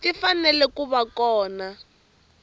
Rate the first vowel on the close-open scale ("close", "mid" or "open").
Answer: close